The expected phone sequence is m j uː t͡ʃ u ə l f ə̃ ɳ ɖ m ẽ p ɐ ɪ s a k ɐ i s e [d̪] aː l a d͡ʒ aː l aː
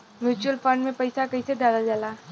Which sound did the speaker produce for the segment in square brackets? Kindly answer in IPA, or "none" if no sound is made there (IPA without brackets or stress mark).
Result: d̪